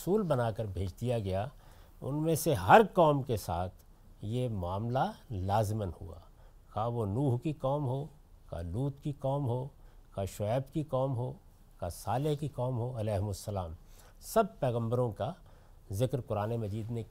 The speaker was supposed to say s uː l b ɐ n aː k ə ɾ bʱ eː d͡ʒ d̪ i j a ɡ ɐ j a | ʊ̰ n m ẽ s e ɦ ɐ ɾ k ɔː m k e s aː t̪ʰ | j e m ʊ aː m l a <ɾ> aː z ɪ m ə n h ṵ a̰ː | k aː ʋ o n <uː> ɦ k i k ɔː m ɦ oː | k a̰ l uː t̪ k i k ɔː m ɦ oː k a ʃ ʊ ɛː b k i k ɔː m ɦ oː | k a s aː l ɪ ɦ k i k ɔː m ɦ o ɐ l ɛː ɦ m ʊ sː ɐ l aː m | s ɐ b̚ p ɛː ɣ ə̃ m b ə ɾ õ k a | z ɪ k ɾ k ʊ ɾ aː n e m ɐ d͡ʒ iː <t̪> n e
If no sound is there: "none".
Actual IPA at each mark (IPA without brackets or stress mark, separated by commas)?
l, uː, d̪